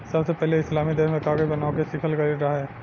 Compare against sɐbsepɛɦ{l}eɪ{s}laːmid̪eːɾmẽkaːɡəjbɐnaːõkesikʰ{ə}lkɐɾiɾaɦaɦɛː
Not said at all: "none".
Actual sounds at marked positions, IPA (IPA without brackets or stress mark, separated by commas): l, s, ə